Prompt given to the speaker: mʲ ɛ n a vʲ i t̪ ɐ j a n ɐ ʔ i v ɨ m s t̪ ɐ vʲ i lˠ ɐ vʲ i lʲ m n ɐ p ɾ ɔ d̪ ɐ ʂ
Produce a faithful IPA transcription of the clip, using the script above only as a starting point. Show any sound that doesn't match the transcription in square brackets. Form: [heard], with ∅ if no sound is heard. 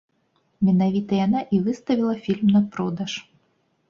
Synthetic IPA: mʲ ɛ n a vʲ i t̪ ɐ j a n [a] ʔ i v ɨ [∅] s t̪ ɐ vʲ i lˠ ɐ [fʲ] i lʲ m n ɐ p ɾ ɔ d̪ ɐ ʂ